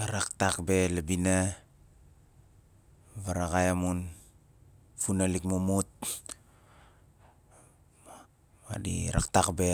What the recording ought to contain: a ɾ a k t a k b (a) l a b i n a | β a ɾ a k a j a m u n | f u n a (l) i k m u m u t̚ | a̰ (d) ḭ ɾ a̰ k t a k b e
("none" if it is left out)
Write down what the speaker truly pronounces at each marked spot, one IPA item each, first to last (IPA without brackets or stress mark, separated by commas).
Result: e, l, d